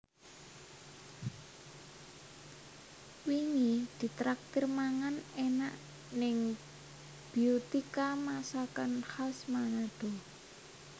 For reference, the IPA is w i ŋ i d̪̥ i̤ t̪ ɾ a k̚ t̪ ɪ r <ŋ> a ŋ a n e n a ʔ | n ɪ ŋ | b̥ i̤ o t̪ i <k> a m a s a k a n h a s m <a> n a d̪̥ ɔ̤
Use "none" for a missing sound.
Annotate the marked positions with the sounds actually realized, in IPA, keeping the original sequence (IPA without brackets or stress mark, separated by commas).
m, k, a